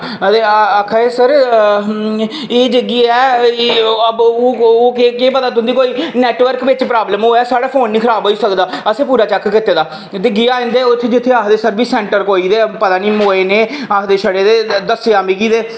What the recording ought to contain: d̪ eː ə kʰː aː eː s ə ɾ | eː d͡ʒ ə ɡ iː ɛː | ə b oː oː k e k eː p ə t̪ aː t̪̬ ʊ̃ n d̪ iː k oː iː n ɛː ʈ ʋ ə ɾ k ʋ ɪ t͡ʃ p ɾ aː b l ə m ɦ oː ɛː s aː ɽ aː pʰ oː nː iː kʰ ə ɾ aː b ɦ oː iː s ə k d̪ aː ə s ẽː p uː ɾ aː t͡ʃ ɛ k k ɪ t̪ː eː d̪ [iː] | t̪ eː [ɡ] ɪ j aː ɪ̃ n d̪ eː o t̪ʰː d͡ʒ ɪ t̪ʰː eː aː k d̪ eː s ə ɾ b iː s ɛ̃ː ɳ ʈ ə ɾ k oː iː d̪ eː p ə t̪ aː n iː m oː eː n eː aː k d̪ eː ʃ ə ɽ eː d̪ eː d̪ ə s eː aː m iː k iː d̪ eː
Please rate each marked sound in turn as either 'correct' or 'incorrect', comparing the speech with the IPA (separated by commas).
incorrect, correct